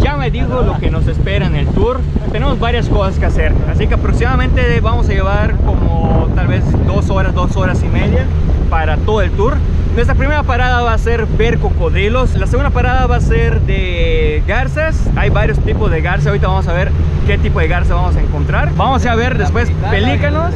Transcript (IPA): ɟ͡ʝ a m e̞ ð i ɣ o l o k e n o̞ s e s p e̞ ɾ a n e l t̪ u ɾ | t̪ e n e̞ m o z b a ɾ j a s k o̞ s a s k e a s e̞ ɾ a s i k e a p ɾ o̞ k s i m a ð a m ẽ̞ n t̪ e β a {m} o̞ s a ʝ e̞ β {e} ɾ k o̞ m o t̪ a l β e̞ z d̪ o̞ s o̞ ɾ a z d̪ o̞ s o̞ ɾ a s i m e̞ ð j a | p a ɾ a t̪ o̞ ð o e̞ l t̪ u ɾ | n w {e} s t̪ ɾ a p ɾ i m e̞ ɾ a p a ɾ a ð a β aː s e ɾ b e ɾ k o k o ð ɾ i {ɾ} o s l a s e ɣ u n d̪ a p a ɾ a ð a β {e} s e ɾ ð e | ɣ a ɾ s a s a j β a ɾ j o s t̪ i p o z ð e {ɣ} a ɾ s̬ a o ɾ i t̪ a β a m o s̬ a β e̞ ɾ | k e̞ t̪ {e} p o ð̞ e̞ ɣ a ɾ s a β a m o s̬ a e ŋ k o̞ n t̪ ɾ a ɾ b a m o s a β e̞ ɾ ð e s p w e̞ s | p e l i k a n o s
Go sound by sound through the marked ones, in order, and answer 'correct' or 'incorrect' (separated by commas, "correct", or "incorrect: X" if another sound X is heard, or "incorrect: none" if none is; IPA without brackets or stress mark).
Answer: correct, incorrect: a, correct, incorrect: l, incorrect: a, correct, incorrect: i